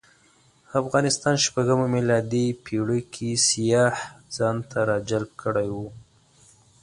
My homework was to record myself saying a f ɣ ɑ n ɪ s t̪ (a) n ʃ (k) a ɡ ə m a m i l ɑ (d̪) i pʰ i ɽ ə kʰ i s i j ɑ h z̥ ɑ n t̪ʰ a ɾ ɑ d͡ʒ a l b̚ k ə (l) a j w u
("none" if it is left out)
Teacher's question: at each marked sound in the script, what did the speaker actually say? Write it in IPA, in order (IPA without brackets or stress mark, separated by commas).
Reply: ɑ, p, d̪, ɽ